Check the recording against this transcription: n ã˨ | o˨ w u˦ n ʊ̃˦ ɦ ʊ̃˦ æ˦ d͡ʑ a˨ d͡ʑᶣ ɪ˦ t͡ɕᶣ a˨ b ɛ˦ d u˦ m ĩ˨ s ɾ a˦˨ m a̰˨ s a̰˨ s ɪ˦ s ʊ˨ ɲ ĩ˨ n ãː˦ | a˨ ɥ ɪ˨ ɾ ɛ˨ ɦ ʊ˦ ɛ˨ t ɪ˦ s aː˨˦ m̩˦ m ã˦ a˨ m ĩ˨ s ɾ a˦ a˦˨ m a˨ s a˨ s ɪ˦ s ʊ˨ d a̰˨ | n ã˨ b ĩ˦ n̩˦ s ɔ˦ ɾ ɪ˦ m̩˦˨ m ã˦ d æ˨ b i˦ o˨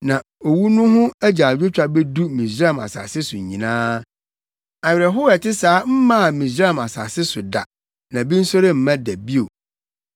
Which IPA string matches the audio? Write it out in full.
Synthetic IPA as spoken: n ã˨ | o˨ w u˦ n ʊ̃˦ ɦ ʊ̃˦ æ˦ d͡ʑ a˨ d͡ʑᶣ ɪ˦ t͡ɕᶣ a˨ b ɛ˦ d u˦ m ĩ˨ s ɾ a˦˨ m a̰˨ s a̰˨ s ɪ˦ s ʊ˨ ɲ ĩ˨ n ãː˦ | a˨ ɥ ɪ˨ ɾ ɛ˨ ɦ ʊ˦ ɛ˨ t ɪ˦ s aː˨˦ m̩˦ m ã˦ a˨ m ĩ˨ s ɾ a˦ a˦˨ m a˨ s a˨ s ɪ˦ s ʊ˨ d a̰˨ | n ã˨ b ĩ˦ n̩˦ s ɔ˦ ɾ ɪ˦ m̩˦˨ m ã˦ d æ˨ b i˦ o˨

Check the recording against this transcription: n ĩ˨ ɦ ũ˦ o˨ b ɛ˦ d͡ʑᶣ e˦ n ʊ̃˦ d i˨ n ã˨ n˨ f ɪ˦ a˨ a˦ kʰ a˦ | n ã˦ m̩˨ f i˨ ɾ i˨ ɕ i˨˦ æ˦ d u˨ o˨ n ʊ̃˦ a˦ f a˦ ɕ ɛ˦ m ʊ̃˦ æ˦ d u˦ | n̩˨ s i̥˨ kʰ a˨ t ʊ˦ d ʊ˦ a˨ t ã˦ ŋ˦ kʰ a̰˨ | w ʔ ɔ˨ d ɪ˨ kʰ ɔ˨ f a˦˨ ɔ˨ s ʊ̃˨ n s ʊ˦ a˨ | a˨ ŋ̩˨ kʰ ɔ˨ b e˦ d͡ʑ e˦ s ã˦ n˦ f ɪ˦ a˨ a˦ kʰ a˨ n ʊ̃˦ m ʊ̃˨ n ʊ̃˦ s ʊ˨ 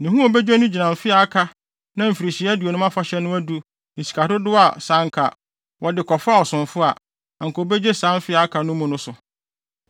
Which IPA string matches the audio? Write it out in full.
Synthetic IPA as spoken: n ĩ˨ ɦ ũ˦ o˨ b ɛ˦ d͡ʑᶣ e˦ n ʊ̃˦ d͡ʑ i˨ n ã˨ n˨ f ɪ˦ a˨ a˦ kʰ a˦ | n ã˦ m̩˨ f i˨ ɾ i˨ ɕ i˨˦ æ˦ d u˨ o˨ n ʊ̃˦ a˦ f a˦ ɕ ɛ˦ n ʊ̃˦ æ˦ d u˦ | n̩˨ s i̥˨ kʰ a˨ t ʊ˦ d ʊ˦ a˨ s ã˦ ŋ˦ kʰ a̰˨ | w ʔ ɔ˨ d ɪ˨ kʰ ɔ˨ f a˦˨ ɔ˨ s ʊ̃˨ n f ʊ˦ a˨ | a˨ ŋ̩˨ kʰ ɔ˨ b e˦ d͡ʑ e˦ s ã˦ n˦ f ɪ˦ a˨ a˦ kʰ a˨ n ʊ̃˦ m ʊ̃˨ n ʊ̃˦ s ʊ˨

